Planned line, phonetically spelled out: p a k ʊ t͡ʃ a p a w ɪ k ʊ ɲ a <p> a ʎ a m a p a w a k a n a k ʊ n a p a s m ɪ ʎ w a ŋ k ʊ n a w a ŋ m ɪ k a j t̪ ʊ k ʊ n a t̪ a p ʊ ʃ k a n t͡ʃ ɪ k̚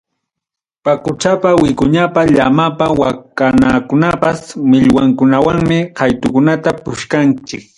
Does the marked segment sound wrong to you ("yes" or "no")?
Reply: no